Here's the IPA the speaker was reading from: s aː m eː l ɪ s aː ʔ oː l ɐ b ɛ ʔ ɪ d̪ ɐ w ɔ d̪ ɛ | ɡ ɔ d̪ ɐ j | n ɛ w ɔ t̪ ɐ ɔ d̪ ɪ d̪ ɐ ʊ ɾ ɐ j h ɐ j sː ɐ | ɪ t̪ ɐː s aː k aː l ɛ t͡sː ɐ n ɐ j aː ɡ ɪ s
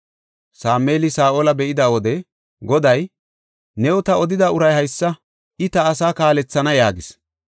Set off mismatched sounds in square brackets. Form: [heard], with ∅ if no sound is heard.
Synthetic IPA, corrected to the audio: s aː m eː l ɪ s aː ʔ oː l ɐ b ɛ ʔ ɪ d̪ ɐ w ɔ d̪ ɛ | ɡ ɔ d̪ ɐ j | n ɛ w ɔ t̪ ɐ ɔ d̪ ɪ d̪ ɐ ʊ ɾ ɐ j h ɐ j sː ɐ | ɪ t̪ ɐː s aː k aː l ɛ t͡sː ɐ n ɐ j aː ɡ ɪ s